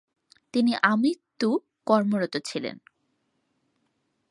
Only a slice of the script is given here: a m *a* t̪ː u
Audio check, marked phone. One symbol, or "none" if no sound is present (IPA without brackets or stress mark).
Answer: i